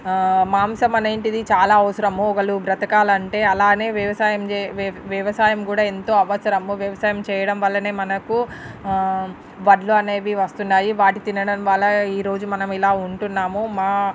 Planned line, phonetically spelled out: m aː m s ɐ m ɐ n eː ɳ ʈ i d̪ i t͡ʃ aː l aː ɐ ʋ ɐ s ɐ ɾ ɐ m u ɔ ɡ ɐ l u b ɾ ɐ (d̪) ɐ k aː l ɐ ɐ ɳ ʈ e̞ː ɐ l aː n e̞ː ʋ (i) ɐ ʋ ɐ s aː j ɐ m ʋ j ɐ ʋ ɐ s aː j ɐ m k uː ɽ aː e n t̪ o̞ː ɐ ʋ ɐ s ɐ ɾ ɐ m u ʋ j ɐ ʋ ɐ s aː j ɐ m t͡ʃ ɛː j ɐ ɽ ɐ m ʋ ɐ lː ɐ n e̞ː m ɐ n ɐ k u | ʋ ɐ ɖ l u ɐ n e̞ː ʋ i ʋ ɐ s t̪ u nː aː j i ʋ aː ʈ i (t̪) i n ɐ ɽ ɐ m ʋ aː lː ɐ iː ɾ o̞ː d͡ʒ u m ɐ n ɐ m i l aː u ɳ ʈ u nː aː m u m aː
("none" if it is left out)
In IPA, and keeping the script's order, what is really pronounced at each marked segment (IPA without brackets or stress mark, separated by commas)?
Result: t̪, j, t̪